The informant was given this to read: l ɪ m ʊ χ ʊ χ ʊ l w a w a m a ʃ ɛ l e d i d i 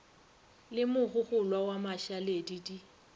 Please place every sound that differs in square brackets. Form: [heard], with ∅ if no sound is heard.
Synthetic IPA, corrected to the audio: l ɪ m ʊ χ ʊ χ ʊ l w a w a m a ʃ [a] l e d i d i